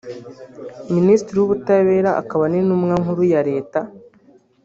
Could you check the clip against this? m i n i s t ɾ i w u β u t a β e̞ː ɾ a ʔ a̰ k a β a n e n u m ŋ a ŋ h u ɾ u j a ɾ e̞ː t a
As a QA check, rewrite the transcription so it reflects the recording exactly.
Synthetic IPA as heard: m i n i s t ɾ i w u β u t a β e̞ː ɾ a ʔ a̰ k a β a n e n u m ŋ a ŋ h u ɾ u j a ɾ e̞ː t a